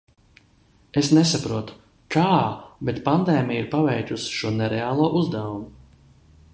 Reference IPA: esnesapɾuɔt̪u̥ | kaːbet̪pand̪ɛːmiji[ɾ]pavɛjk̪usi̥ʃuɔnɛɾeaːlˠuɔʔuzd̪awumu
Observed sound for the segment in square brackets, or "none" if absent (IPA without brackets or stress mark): ɾ